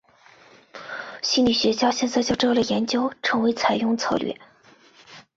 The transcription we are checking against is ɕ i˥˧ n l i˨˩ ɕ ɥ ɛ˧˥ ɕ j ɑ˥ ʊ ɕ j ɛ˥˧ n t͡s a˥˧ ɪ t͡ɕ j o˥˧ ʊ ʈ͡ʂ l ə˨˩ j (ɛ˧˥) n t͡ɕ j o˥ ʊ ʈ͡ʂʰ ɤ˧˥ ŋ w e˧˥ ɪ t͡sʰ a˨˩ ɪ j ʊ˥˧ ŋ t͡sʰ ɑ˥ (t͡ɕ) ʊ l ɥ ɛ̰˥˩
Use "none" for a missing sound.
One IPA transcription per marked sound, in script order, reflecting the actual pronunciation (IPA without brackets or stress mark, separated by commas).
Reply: ɛ˧˥, none